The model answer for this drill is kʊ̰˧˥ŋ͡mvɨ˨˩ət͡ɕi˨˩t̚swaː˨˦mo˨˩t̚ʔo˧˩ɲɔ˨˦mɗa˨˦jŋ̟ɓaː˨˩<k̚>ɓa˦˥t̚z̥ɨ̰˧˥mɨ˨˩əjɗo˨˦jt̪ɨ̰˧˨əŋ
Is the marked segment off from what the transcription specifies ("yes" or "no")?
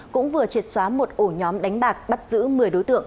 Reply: no